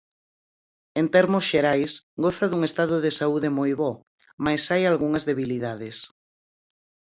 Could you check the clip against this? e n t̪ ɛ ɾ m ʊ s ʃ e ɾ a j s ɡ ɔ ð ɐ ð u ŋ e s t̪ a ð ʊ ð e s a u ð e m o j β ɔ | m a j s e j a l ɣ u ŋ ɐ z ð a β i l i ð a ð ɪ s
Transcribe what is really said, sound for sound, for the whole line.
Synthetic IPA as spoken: e n t̪ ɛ ɾ m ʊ s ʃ e ɾ a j s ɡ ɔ θ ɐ ð u ŋ e s t̪ a ð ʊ ð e s a u ð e m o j β ɔ | m a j s a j a l ɣ u ŋ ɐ z ð e β i l i ð a ð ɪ s